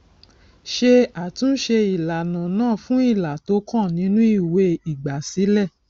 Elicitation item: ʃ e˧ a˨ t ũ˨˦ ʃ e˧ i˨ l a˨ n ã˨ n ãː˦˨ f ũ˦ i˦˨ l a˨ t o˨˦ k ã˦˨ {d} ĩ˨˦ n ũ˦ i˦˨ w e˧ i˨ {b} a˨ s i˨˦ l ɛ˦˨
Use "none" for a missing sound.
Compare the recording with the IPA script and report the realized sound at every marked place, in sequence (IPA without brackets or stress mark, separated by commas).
n, ɡ͡b